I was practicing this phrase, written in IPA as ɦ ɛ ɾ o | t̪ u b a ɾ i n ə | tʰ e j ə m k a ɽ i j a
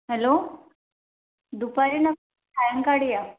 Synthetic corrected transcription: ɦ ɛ l o | d̪ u p a ɾ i n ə | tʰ a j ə ŋ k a ɽ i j a